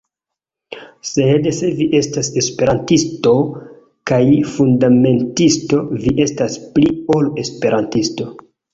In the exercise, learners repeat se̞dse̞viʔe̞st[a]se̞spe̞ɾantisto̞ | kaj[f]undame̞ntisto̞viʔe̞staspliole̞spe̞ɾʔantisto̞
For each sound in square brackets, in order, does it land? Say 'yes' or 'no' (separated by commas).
yes, yes